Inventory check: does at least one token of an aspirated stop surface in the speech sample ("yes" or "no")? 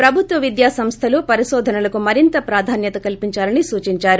yes